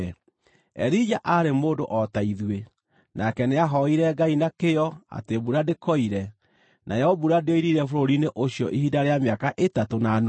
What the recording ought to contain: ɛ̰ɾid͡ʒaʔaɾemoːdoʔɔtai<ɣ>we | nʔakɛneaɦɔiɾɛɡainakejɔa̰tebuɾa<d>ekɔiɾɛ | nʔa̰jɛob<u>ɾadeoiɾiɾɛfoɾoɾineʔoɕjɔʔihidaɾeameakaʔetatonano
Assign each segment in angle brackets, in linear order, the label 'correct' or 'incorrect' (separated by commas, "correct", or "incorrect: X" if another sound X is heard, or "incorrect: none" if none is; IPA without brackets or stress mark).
incorrect: ð, correct, correct